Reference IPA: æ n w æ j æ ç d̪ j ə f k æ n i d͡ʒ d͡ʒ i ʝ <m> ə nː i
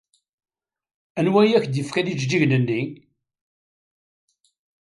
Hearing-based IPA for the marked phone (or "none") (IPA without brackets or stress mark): n